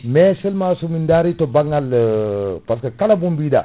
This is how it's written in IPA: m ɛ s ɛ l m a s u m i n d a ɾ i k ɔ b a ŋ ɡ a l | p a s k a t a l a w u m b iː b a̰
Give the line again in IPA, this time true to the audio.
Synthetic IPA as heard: m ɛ s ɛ l m a s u m i n d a ɾ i t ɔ b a ŋ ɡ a l | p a s k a k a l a b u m b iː d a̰

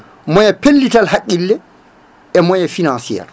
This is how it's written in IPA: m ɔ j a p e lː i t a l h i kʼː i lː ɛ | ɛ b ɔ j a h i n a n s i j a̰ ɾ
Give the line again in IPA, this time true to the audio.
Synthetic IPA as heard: m ɔ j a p e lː i t a l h a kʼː i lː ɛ | ɛ m ɔ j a f i n a n s i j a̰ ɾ

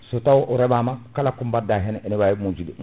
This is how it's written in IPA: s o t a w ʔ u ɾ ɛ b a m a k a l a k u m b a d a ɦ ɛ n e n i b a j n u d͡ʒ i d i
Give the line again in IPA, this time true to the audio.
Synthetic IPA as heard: s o t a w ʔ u ɾ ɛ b a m a k a l a k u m b a d a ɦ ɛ n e n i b a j m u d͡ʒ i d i

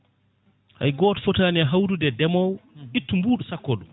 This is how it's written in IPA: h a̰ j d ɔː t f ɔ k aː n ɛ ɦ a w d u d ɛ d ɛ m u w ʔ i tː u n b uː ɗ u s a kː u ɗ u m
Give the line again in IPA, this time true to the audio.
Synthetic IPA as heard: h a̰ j ɡ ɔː t f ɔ t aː n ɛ ɦ a w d u d ɛ d ɛ m ɔ w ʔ i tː u m b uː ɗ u s a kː ɔ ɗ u m

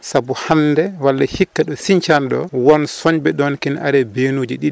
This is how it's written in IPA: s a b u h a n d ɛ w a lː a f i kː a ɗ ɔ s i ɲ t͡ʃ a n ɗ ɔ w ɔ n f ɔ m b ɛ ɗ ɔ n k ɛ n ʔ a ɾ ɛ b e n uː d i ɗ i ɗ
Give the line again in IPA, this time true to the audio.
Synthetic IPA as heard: s a b u h a n d ɛ w a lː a h i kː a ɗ ɔ s i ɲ t͡ʃ a n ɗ ɔ w ɔ n s ɔ ɲ b ɛ ɗ ɔ n k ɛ n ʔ a ɾ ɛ b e n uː d͡ʒ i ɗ i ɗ

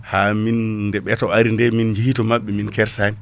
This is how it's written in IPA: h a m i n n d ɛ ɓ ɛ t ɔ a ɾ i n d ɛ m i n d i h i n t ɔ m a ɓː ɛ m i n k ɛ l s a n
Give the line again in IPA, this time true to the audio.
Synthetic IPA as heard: h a m i n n d ɛ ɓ ɛ t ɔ a ɾ i n d ɛ m i n d͡ʒ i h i t ɔ m a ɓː ɛ m i n k ɛ ɾ s a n

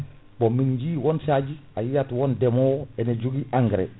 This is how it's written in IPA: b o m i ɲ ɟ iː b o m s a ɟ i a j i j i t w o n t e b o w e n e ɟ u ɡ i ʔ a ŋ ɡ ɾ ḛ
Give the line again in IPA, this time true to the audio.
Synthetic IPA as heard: b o m i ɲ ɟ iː w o n s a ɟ i a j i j a t w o n d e m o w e n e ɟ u ɡ i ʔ a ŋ ɡ ɾ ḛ

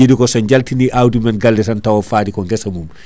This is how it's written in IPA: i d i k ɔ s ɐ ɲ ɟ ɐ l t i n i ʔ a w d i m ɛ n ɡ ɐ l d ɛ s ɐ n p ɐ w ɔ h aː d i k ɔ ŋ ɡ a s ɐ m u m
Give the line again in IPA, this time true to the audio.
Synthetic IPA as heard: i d i k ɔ s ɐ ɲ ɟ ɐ l t i n i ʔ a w d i m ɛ n ɡ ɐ l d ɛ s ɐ n t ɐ w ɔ f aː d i k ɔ ŋ ɡ ɛ s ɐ m u m

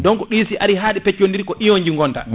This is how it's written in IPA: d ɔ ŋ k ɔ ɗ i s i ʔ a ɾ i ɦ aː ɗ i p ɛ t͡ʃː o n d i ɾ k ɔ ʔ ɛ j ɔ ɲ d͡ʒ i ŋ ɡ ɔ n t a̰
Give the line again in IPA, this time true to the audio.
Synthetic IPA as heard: d ɔ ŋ k ɔ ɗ i s i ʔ a ɾ i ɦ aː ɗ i p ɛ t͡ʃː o n d i ɾ k ɔ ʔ i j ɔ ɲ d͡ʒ i ŋ ɡ ɔ n t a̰

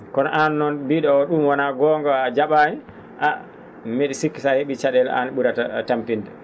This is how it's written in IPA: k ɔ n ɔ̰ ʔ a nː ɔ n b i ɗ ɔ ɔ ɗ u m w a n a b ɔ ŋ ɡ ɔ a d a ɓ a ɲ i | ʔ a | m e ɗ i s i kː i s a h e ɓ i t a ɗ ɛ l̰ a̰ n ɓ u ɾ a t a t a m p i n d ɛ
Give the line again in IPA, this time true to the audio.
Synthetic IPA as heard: k ɔ n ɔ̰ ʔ a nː ɔ n b i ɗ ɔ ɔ ɗ u m w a n a ɡ ɔ ŋ ɡ ɔ a d͡ʒ a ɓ a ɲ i | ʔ a | m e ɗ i s i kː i s a h e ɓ i t͡ʃ a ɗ ɛ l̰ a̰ n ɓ u ɾ a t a t a m p i n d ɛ

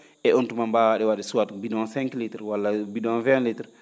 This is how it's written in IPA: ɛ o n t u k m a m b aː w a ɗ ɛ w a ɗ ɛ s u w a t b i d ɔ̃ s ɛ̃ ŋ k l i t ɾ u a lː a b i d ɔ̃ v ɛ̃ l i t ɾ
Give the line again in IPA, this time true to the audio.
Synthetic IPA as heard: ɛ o n t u m a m b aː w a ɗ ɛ w a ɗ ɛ s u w a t b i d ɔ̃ s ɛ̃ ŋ k l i t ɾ w a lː a b i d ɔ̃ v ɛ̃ l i t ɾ

